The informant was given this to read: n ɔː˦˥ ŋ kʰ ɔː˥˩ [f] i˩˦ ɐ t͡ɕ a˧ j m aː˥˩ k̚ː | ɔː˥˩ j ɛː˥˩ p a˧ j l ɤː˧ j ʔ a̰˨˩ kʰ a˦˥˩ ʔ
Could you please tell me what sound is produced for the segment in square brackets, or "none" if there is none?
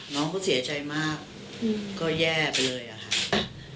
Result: s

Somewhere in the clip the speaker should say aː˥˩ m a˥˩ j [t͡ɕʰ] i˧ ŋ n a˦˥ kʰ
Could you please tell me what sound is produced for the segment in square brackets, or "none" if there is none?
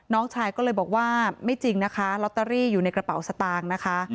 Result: t͡ɕ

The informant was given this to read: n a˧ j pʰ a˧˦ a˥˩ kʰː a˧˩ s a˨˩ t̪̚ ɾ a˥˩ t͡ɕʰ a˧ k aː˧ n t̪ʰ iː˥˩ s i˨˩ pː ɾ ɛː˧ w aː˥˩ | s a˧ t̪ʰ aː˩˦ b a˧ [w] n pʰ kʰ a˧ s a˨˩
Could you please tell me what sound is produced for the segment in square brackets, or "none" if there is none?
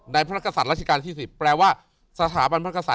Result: none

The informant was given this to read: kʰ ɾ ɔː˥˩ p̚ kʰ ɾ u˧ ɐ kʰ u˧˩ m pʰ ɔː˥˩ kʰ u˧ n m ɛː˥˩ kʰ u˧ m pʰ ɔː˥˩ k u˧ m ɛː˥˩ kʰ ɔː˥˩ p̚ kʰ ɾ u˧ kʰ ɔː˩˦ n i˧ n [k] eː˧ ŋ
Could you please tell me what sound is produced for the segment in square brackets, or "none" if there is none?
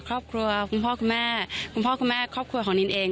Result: ʔ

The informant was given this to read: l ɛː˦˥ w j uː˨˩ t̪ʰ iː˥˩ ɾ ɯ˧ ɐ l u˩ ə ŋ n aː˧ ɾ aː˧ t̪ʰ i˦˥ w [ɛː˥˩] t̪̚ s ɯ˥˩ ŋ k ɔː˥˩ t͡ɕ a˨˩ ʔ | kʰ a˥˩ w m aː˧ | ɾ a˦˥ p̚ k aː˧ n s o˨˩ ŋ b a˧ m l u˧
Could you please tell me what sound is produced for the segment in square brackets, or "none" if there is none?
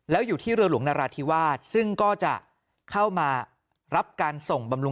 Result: aː˥˩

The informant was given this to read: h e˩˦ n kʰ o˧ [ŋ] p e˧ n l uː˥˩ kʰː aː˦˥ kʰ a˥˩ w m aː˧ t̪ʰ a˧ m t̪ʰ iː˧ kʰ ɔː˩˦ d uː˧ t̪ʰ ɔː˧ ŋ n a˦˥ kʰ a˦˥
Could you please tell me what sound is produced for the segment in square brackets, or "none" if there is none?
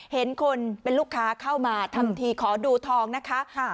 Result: n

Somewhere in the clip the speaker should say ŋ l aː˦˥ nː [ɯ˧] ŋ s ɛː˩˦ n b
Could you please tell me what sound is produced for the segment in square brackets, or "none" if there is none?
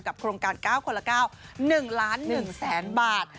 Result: ɯ˨˩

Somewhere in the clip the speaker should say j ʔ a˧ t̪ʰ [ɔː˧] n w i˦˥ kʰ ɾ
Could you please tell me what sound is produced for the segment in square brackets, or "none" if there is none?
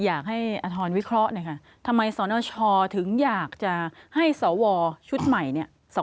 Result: ɔː˧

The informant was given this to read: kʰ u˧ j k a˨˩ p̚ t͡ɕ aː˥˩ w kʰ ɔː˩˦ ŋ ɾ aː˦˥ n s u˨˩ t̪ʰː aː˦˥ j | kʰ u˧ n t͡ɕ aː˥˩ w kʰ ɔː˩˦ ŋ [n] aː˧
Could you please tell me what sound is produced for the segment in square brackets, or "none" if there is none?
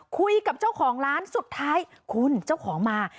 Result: m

